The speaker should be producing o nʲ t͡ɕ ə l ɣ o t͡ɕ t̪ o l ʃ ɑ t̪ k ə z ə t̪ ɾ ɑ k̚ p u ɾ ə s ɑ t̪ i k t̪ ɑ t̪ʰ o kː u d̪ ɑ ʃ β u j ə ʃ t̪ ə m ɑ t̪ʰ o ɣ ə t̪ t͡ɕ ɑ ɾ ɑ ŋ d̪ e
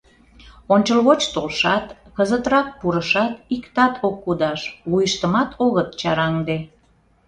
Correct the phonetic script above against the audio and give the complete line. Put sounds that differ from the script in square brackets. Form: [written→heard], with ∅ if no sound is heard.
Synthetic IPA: o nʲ t͡ɕ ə l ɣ o t͡ɕ t̪ o l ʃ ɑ t̪ k ə z ə t̪ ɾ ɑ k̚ p u ɾ ə [s→ʃ] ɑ t̪ i k t̪ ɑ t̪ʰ o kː u d̪ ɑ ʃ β u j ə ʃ t̪ ə m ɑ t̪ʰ o ɣ ə t̪ t͡ɕ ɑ ɾ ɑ ŋ d̪ e